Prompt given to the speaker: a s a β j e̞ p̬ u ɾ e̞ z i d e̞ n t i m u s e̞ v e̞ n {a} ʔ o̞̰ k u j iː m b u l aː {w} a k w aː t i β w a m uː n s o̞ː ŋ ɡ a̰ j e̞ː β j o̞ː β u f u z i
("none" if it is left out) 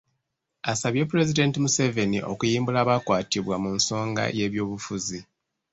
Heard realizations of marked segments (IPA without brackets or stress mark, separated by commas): i, β